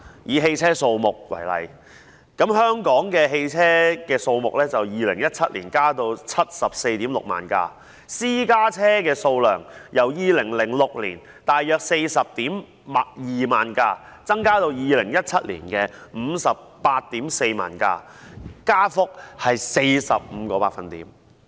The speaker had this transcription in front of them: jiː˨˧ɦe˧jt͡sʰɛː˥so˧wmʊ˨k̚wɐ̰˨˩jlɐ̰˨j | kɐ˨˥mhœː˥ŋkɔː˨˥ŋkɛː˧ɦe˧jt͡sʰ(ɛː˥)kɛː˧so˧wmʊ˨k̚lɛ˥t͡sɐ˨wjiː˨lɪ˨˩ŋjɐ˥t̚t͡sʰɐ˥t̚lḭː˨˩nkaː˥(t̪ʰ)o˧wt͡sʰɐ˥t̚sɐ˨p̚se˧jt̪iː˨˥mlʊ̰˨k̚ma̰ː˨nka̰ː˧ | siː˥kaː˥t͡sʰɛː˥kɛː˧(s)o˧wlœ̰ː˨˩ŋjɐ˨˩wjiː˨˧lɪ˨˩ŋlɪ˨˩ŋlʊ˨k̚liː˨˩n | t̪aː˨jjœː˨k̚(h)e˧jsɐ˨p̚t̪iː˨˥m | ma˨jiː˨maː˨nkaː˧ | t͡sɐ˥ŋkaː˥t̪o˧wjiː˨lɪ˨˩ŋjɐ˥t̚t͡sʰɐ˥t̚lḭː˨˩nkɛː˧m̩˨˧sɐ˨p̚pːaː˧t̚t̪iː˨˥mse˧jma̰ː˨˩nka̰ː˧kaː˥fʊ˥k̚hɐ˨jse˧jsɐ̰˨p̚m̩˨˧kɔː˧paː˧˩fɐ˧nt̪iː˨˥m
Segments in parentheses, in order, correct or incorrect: correct, incorrect: t̪, correct, incorrect: s

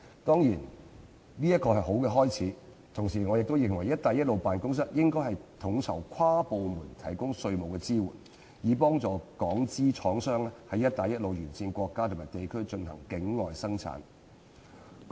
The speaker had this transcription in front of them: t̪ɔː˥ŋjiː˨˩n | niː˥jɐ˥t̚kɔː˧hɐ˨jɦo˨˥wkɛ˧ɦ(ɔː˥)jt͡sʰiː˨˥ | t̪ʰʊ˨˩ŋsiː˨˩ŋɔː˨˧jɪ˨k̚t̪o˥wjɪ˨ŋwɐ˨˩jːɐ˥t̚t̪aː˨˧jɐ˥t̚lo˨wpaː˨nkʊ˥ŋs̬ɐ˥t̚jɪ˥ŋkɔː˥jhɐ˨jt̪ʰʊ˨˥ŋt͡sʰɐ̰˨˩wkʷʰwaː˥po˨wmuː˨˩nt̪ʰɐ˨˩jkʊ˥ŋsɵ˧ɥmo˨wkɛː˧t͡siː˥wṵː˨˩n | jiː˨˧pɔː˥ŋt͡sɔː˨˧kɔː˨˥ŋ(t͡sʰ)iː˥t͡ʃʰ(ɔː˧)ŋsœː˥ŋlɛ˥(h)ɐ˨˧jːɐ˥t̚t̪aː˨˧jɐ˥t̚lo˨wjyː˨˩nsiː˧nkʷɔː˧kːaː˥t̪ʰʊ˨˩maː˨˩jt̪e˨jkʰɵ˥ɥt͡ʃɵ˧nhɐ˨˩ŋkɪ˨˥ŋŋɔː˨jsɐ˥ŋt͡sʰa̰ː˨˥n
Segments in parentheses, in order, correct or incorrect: correct, incorrect: t͡s, incorrect: ɔː˨˥, correct

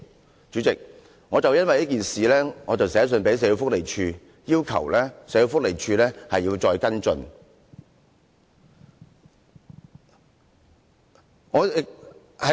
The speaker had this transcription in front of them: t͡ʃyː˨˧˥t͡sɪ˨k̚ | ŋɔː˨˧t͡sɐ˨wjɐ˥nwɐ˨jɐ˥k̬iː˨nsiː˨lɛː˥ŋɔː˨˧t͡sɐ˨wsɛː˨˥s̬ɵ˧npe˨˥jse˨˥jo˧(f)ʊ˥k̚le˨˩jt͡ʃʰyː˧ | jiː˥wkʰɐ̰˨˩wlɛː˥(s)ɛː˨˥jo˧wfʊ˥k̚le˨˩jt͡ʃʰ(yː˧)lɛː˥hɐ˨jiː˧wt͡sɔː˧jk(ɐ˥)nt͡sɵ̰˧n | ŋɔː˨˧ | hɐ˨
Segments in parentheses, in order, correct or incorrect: correct, correct, correct, correct

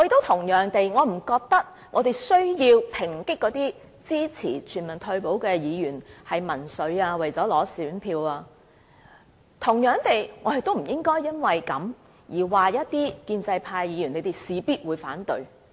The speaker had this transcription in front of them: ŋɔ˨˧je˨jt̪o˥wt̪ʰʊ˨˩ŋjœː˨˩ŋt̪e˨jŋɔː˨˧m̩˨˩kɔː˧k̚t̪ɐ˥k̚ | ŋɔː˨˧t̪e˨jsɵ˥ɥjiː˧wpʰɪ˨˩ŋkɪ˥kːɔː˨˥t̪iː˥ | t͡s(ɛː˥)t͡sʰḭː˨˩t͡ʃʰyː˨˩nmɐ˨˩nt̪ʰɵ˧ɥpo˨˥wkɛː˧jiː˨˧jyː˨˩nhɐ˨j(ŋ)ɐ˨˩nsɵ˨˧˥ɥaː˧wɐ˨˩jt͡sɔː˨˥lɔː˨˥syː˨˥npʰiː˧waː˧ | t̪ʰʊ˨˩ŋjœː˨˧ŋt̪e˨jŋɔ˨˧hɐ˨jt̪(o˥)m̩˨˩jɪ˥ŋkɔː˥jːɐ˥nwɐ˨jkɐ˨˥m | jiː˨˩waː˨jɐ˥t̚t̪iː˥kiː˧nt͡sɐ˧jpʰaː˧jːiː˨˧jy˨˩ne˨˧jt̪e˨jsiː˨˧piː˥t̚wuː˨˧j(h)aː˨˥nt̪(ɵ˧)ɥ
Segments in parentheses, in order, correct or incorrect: incorrect: iː˥, incorrect: m, correct, incorrect: f, correct

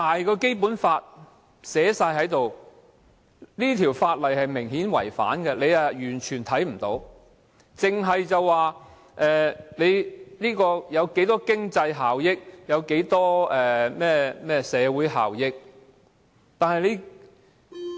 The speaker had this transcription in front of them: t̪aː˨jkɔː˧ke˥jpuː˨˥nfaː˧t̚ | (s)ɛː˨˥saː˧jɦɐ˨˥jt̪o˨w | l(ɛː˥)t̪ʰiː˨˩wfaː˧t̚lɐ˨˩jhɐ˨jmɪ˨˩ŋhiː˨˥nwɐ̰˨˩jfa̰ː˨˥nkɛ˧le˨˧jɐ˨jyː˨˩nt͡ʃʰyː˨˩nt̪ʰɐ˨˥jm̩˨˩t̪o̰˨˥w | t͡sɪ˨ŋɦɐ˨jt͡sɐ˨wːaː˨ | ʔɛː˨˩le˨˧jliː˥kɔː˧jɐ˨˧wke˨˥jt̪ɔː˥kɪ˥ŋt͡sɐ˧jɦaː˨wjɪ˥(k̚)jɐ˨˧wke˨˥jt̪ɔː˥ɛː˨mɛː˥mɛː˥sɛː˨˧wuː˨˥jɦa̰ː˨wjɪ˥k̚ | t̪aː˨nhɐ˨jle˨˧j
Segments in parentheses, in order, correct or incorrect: correct, incorrect: iː˥, correct

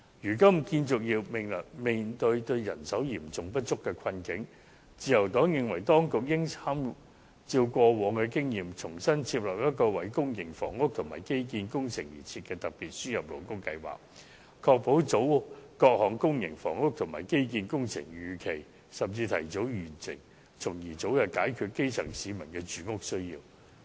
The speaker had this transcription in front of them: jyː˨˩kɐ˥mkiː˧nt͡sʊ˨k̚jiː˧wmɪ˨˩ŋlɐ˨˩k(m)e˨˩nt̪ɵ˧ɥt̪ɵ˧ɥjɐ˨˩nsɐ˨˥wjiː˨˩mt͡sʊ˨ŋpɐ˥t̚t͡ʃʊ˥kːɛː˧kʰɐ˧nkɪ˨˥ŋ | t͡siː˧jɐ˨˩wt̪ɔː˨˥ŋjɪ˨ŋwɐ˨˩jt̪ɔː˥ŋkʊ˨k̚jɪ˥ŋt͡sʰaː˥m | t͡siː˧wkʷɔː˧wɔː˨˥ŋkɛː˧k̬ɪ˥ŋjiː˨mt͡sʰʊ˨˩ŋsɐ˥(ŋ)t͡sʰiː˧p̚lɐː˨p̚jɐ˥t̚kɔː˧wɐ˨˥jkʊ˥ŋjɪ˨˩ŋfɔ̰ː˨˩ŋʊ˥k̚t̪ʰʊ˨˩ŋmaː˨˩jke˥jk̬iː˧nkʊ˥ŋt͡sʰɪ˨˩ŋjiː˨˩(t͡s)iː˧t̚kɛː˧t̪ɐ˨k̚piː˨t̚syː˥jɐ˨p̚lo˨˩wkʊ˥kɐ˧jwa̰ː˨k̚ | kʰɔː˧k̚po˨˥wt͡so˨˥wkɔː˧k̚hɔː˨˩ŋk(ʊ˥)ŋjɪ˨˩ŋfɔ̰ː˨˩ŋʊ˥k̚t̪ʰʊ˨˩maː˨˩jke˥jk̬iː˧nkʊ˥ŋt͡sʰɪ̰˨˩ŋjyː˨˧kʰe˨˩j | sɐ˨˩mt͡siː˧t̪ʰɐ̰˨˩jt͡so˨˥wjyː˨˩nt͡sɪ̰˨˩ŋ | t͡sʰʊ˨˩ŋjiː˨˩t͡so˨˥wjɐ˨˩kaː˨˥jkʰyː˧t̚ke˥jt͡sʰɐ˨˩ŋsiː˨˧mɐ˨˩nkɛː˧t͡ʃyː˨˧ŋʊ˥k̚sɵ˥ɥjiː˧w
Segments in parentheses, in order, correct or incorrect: correct, incorrect: n, incorrect: t͡sʰ, correct

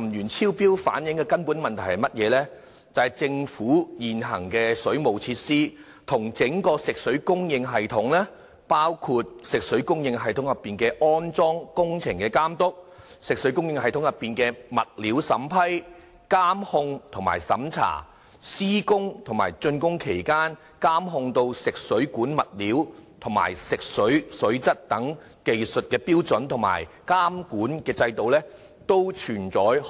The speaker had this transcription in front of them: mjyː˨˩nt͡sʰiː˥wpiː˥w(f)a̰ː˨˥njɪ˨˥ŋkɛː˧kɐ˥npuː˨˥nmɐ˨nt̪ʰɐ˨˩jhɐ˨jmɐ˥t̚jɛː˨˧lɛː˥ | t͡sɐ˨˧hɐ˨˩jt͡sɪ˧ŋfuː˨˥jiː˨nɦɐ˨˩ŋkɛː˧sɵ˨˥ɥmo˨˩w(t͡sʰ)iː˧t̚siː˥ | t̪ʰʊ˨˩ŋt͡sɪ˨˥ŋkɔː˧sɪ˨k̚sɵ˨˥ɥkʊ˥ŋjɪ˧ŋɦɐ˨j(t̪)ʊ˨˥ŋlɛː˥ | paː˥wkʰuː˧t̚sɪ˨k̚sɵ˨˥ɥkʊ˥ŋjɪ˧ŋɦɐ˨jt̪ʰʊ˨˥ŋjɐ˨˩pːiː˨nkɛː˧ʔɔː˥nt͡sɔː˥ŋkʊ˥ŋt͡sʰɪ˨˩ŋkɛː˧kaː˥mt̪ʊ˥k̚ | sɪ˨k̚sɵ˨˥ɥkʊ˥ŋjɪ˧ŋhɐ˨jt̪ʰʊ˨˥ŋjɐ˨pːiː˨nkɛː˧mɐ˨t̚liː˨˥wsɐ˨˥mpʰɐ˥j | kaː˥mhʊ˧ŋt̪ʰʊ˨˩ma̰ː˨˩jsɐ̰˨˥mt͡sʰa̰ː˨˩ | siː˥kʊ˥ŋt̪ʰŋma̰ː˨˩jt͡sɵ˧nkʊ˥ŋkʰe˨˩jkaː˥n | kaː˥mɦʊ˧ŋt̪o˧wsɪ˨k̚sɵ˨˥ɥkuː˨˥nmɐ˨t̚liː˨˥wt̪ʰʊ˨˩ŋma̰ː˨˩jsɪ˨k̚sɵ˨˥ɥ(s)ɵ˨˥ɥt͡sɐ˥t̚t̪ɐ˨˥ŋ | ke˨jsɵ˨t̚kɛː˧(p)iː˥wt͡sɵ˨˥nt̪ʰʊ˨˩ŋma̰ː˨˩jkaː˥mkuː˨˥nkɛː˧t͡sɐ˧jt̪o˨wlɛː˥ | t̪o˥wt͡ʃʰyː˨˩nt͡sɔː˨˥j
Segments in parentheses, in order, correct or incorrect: correct, correct, incorrect: t̪ʰ, correct, correct

